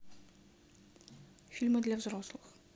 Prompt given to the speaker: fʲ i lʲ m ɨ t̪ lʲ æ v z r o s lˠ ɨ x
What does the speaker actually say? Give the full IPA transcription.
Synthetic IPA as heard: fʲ i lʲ m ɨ d̪ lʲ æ v z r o s lˠ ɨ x